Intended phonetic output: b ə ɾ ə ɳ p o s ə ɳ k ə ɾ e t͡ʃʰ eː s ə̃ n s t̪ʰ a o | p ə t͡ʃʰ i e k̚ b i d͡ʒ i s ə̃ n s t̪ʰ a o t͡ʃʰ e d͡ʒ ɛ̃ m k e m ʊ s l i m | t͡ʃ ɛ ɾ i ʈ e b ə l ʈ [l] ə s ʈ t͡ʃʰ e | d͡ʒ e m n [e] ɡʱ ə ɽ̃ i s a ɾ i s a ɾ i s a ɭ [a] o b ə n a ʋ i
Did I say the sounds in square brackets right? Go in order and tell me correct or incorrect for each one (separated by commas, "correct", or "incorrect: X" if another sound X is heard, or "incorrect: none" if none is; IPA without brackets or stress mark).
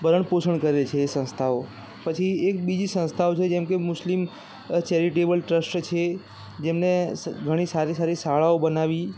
incorrect: ɾ, correct, correct